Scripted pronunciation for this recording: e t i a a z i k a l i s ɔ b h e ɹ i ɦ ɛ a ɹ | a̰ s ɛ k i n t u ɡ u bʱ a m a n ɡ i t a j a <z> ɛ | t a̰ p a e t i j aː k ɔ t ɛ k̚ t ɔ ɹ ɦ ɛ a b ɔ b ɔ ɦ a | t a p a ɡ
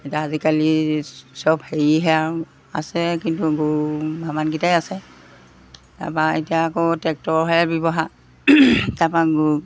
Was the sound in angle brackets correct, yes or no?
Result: no